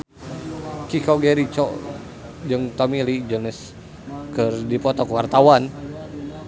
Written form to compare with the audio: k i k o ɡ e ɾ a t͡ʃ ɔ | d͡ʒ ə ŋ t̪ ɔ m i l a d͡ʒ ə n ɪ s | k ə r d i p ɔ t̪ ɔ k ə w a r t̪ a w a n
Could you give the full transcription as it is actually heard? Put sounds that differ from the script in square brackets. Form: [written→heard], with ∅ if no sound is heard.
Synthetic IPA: k i k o ɡ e ɾ [a→i] t͡ʃ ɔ | d͡ʒ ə ŋ t̪ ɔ m i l [a→i] d͡ʒ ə n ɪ s | k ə r d i p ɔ t̪ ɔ k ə w a r t̪ a w a n